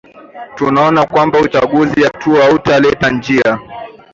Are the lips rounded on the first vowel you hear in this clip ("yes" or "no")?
yes